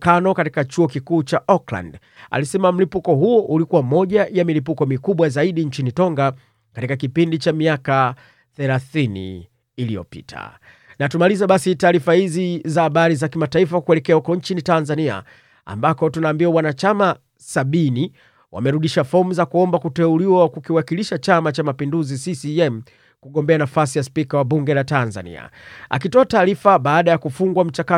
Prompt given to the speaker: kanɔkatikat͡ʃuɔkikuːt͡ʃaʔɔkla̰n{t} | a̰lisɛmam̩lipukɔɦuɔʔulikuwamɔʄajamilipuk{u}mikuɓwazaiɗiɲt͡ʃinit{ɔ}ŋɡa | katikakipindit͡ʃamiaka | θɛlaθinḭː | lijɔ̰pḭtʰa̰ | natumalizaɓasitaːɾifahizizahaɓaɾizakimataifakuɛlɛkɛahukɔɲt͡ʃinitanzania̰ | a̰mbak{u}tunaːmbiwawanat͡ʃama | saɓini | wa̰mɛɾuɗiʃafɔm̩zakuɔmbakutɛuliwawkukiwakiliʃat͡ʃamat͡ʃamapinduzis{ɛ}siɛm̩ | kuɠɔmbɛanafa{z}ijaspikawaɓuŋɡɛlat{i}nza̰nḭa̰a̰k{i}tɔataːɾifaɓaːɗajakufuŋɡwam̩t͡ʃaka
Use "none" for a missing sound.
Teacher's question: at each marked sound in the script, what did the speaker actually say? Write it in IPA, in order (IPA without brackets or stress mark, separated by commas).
d, ɔ, ɔ, ɔ, i, s, a, i